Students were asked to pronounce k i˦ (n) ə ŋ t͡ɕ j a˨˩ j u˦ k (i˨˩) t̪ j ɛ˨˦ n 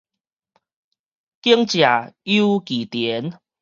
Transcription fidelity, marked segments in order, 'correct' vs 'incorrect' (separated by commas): incorrect, correct